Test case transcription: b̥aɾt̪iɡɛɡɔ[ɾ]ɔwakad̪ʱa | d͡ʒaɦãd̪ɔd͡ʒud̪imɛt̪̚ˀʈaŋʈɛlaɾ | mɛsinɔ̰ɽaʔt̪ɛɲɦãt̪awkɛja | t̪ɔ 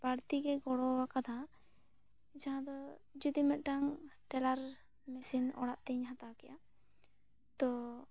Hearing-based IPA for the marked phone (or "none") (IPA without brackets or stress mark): ɽ